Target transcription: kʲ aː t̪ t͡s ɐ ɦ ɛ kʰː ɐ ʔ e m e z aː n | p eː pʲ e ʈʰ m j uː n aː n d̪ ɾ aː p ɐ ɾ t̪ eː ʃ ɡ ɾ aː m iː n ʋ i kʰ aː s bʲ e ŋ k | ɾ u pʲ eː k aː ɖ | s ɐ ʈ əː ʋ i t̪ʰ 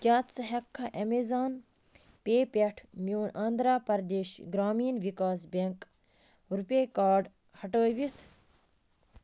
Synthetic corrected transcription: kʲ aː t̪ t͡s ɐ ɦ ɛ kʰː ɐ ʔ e m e z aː n | p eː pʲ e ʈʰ m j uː n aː n d̪ ɾ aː p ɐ ɾ d̪ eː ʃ ɡ ɾ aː m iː n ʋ i k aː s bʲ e ŋ k | ɾ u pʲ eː k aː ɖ | h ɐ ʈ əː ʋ i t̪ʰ